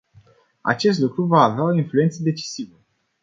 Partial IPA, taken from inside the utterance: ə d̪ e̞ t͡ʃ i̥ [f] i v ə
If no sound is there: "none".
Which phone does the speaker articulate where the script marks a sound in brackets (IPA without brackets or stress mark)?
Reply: s